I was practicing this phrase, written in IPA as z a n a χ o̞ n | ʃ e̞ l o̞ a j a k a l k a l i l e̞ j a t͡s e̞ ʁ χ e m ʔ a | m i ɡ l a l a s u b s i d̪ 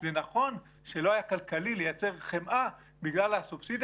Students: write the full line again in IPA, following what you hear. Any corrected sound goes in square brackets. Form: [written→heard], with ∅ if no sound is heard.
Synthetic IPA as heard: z [a→e] n a χ o̞ n | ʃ e̞ l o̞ a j a k a l k a l i l e̞ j a t͡s e̞ ʁ χ e m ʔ a | [m→b] i ɡ l a l a s u b s i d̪